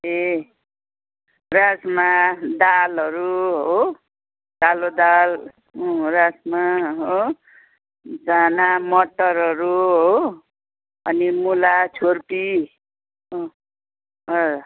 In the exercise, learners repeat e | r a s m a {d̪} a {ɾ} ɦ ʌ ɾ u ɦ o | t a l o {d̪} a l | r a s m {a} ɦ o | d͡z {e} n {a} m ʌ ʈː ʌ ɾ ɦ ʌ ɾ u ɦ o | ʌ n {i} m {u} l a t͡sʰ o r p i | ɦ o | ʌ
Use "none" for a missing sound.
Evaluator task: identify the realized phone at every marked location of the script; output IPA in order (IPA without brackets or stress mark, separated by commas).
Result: d̪, l, d̪, a, a, a, i, u